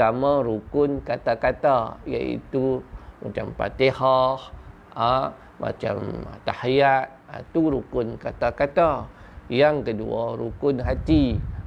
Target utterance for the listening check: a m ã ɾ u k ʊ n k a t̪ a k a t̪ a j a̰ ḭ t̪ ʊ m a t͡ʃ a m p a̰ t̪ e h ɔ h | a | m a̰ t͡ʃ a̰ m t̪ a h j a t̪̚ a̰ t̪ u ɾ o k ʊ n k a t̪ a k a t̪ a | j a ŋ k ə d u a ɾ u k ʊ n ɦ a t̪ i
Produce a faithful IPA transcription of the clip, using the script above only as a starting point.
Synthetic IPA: a m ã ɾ u k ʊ n k a t̪ a k a t̪ a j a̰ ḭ t̪ u m a t͡ʃ a m p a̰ t̪ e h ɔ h | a | m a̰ t͡ʃ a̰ m t̪ a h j a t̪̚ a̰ t̪ u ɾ u k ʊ n k a t̪ a k a t̪ a | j a ŋ k ə d u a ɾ u k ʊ n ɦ a t̪ i